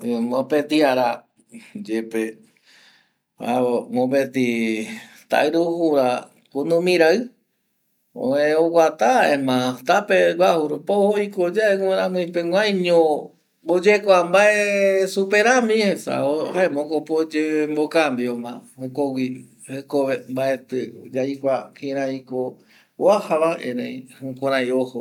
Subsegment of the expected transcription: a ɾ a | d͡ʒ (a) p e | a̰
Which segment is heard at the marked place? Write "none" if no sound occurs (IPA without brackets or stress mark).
e